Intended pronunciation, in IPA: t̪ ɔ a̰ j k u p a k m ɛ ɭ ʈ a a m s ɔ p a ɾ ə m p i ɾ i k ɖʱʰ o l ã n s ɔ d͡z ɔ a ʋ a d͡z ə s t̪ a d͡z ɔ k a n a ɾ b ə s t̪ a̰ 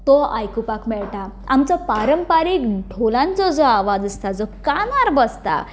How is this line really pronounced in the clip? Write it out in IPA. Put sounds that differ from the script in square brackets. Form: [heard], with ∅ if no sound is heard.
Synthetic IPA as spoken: t̪ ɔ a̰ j k u p a k m ɛ ɭ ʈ a a m [t͡s] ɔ p a ɾ ə m p [a] ɾ i k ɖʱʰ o l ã n [t͡s] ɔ d͡z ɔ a ʋ a d͡z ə s t̪ a d͡z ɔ k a n a ɾ b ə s t̪ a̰